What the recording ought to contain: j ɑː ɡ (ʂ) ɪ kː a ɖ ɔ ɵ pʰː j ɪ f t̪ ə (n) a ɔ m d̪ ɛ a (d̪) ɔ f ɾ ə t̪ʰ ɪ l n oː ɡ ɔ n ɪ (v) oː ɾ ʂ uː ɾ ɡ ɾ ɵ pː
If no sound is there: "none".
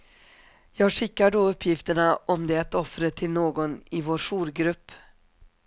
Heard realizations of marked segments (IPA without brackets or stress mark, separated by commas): ʂ, ɳ, t̪, v